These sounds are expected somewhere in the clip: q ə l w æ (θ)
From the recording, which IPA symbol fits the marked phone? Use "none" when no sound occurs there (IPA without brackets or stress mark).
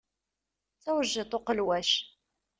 ʃ